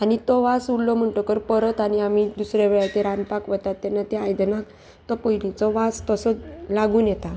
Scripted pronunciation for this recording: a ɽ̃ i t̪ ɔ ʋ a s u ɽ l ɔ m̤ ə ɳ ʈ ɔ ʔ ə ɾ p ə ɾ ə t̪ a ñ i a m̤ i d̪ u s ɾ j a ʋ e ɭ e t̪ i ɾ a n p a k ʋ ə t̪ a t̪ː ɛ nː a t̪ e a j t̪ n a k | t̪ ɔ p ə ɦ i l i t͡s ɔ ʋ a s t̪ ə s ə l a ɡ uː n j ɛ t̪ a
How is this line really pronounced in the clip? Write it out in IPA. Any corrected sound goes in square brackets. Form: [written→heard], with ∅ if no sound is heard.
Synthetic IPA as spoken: a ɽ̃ i t̪ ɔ ʋ a s u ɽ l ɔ m̤ ə ɳ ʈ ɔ [ʔ→k] ə ɾ p ə ɾ ə t̪ a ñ i a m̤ i d̪ u s ɾ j a ʋ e ɭ [e→a] t̪ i ɾ a n p a k ʋ ə t̪ a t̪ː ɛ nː a t̪ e a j [t̪→d̪] n a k | t̪ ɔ p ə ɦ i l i t͡s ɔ ʋ a s t̪ ə s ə l a ɡ uː n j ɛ t̪ a